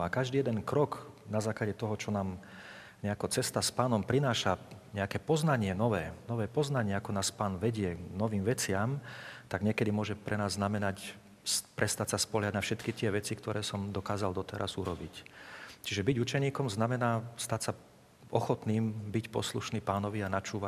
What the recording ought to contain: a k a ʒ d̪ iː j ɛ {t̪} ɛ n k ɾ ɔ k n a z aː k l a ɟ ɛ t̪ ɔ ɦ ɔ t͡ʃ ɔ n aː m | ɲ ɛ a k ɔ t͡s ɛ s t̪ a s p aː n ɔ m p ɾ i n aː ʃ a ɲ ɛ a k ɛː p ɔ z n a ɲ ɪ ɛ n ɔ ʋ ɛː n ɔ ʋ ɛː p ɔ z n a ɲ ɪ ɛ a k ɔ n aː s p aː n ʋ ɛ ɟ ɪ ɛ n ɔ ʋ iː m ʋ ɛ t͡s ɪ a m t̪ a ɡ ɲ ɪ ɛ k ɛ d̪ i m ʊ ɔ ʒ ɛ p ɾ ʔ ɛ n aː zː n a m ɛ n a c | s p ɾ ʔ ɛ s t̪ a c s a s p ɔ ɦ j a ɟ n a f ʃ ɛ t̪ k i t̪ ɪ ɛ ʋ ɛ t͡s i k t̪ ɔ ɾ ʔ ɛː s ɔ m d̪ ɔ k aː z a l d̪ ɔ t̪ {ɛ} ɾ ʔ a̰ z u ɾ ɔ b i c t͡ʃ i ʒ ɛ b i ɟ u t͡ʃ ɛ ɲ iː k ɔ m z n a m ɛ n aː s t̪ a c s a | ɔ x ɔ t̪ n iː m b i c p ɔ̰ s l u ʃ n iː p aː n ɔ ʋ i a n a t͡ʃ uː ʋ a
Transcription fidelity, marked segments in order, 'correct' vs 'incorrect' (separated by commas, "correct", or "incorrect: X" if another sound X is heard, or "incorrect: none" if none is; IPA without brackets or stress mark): incorrect: d̪, correct